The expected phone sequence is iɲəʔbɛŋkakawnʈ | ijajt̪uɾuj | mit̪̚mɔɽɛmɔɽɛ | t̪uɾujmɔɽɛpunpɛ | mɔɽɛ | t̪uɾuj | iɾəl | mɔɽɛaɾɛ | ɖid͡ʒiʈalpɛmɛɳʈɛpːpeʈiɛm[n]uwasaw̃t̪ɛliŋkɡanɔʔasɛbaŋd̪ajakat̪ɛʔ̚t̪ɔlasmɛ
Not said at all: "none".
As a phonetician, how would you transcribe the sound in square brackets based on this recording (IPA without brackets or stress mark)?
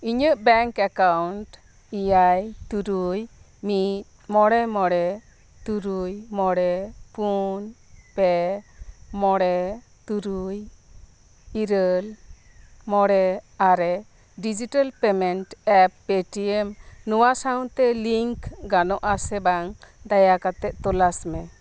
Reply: n